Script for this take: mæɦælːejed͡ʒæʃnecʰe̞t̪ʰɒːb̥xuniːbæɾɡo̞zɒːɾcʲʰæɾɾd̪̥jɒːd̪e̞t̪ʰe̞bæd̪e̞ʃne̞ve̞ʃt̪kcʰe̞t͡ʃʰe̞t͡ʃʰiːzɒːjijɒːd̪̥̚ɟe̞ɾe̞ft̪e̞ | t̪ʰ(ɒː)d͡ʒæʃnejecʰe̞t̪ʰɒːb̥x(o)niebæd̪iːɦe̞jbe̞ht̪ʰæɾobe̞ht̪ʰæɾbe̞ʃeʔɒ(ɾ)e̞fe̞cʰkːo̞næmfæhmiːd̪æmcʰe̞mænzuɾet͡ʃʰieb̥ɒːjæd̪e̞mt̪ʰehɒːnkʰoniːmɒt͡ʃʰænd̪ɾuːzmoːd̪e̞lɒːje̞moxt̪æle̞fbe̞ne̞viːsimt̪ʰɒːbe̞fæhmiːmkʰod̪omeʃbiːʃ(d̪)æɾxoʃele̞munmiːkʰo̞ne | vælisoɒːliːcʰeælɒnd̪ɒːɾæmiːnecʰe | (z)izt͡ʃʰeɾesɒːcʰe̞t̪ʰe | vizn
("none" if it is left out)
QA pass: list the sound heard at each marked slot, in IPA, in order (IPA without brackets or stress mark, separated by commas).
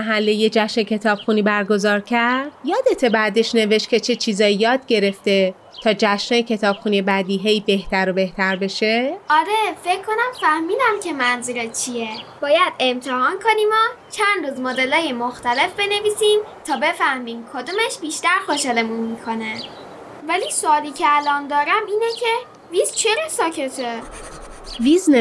ɒː, u, ɾ, t̪, v